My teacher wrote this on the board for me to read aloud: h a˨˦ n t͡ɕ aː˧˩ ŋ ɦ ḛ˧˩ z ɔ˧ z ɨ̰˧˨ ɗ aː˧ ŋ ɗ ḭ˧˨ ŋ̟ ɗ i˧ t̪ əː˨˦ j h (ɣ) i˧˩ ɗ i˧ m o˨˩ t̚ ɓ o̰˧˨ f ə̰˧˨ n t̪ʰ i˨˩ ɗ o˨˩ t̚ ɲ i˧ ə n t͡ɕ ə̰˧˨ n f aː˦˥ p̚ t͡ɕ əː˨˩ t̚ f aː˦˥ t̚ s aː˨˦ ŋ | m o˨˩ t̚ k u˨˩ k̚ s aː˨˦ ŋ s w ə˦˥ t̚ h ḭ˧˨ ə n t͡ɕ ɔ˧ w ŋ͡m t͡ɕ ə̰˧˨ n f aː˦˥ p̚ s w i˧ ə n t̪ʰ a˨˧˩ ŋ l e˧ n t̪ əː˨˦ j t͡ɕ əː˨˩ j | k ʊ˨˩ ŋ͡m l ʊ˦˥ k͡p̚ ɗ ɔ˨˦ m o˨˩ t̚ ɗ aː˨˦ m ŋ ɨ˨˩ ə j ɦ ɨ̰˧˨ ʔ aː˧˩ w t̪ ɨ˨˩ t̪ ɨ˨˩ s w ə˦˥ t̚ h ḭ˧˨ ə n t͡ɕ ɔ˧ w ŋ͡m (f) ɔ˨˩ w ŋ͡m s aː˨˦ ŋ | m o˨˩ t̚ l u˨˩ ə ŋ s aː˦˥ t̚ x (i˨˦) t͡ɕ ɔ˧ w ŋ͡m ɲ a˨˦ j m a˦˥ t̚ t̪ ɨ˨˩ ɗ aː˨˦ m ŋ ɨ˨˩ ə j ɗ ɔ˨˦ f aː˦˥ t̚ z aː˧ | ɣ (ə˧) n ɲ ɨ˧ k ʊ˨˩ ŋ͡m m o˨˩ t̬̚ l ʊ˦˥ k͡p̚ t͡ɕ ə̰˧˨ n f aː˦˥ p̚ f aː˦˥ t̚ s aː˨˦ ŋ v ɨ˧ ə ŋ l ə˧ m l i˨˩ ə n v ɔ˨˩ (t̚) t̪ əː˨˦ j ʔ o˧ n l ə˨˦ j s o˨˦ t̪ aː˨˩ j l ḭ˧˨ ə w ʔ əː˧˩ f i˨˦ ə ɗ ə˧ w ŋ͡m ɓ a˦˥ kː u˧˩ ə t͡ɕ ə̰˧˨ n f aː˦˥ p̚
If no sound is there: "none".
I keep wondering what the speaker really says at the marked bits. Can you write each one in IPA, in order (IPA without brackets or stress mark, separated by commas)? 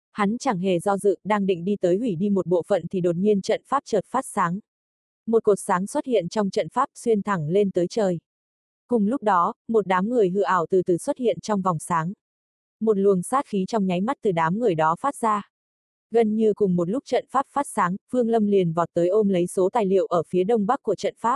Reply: w, v, i˨˦, ə˧, t̚